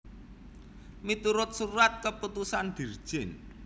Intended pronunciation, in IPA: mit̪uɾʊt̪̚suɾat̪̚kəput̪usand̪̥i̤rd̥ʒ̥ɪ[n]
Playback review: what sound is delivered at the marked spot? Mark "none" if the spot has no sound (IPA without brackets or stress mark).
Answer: n